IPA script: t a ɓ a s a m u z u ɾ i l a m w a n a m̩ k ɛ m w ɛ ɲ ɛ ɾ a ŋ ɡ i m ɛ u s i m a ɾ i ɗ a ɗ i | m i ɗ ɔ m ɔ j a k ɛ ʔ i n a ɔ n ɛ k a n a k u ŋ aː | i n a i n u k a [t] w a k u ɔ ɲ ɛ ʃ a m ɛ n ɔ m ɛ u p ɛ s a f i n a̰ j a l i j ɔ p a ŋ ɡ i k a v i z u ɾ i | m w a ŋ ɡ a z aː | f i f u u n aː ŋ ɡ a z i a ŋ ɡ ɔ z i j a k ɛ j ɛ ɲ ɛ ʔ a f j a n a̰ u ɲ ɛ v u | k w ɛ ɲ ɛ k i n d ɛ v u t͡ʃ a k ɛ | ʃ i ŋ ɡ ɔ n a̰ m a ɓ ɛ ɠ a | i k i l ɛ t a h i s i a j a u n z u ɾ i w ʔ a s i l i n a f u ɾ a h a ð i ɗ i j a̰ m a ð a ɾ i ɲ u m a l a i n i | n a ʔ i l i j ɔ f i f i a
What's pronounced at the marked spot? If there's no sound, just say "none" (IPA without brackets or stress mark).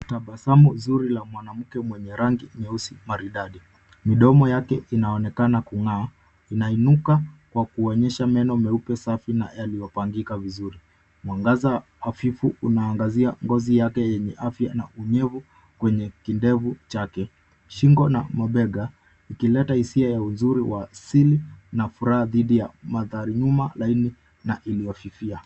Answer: k